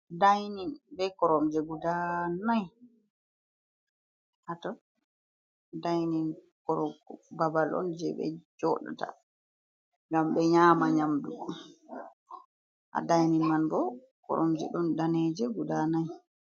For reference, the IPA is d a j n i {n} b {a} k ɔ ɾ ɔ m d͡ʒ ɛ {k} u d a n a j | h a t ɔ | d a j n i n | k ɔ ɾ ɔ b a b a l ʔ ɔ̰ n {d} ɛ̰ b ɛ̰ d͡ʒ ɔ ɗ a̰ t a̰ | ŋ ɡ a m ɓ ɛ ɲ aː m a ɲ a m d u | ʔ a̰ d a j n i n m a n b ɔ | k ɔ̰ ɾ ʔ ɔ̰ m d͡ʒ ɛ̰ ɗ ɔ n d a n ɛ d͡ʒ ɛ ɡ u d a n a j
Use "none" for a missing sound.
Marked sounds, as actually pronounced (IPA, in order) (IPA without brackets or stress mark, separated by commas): n, ɛ, ɡ, d͡ʒ